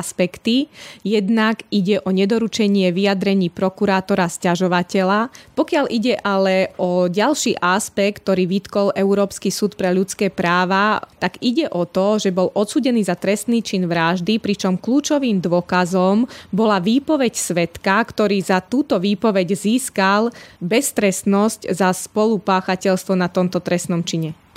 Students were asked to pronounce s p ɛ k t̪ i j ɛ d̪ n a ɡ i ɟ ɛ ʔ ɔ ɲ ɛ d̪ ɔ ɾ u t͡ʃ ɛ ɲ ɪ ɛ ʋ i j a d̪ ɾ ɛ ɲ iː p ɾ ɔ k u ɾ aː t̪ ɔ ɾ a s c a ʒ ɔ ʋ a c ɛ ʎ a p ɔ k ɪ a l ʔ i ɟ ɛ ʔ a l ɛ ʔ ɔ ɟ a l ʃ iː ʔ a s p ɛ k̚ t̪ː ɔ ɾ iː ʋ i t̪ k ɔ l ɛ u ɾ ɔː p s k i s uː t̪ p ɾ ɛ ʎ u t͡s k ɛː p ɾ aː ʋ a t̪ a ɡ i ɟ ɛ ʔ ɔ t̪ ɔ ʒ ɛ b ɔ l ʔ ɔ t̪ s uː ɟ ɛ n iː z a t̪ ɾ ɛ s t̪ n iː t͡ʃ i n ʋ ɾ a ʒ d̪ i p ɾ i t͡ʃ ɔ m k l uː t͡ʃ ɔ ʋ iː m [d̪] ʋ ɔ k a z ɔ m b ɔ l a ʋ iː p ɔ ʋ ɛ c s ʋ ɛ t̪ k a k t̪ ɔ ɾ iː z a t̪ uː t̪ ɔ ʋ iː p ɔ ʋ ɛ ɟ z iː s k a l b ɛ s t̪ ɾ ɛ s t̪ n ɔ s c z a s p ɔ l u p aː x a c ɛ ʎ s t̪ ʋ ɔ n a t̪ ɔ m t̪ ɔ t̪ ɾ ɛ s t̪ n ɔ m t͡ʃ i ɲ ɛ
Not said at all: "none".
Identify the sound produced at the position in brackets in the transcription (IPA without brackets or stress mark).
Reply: d̪